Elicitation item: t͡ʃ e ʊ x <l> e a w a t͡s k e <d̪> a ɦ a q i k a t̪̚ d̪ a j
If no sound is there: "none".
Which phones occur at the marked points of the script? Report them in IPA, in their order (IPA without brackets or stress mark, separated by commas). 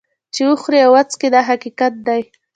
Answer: ɾ, d̪